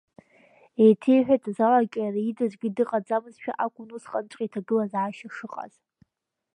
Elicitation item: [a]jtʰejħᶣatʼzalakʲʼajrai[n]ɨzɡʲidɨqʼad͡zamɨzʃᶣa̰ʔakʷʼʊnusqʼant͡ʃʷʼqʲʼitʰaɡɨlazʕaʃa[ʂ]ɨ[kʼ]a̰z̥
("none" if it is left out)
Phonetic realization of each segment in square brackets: e, d, ʂ, qʼ

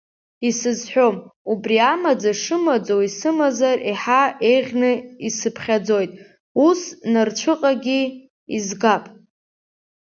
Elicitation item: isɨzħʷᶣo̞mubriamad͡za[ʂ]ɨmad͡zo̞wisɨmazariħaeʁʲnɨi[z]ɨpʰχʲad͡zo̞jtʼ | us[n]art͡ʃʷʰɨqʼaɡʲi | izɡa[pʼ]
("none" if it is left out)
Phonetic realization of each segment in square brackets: ʂ, s, n, pʼ

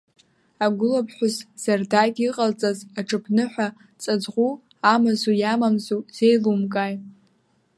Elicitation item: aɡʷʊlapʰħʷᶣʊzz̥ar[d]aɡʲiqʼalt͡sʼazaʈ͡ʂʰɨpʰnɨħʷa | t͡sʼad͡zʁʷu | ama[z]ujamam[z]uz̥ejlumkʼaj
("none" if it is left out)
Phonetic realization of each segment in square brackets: d, z, z

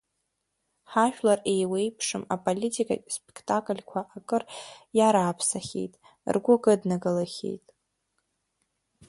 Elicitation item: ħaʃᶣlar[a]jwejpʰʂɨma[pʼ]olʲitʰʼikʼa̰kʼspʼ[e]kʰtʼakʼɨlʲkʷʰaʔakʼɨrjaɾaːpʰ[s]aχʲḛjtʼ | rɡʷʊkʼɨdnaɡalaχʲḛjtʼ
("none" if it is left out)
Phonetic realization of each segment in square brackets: e, pʼ, e, s

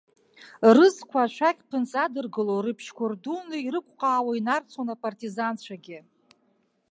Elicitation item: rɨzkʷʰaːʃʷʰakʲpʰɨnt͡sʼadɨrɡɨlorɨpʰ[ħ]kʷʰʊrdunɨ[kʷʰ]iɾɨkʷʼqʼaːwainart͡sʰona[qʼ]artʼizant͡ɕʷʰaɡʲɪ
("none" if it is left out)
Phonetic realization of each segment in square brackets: ʃ, none, pʼ

